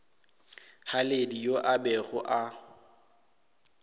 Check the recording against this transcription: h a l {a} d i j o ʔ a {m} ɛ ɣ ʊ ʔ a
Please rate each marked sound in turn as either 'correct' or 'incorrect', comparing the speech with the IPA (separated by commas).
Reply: incorrect, incorrect